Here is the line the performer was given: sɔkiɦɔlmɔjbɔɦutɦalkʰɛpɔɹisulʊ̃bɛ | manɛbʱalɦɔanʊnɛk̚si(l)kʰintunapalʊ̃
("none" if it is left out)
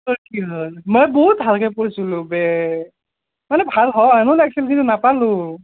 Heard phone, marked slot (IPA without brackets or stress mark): l